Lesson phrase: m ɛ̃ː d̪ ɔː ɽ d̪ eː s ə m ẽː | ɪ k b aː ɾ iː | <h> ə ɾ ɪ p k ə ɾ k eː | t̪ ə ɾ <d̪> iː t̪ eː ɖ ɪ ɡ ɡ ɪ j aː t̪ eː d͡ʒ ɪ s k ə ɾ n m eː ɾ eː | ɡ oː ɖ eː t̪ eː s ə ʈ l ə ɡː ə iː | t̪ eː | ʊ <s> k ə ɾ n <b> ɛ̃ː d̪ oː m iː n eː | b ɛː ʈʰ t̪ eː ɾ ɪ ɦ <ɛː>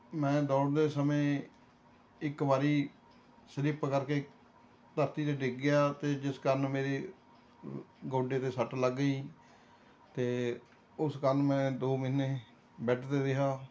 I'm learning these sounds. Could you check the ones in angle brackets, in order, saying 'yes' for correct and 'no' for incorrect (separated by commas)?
no, no, yes, no, no